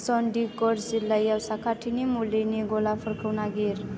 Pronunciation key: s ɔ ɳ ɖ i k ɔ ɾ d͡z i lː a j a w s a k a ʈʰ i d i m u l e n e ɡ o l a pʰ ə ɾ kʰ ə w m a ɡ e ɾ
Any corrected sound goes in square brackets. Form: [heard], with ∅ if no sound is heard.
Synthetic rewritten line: s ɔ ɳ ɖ i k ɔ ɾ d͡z i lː a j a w s a k a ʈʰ i [n] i m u l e n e ɡ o l a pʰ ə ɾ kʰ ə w [n] a ɡ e ɾ